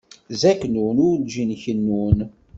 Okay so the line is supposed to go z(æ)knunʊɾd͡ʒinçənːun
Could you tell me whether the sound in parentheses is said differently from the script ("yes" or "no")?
no